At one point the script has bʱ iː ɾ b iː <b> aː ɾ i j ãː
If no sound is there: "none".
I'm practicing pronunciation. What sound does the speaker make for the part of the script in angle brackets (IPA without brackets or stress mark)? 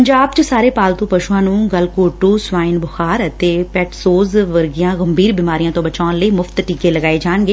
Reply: m